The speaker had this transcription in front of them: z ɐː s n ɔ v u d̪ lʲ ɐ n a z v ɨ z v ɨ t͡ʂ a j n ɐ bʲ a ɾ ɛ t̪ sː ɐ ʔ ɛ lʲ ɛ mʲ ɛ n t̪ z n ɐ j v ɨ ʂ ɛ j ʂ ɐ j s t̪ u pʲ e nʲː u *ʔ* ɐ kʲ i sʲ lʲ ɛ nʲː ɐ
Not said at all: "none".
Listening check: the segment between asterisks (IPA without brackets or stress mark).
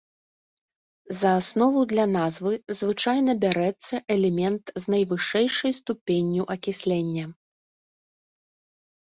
ʔ